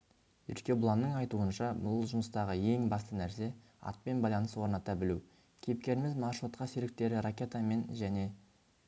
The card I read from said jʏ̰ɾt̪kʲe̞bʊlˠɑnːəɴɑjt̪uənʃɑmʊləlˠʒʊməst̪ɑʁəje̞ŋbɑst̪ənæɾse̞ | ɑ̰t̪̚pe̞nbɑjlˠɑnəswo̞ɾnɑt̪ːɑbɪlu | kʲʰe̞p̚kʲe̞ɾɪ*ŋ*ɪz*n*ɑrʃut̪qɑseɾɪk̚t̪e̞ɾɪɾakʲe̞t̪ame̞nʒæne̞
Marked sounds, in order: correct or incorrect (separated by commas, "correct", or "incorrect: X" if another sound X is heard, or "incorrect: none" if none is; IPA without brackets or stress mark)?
incorrect: m, incorrect: m